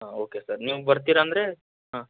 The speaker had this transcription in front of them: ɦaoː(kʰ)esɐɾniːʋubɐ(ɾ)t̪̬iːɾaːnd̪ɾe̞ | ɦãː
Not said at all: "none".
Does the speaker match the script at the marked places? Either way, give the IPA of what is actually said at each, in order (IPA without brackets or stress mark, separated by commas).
k, ɾ